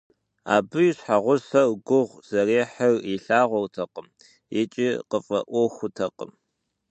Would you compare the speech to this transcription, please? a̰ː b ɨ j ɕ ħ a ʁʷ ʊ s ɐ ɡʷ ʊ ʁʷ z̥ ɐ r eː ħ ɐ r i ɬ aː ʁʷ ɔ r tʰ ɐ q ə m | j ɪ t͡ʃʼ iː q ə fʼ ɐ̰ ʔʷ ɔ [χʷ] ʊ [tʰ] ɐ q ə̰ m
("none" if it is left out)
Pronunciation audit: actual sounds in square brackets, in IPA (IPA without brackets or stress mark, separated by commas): xʷ, tʰ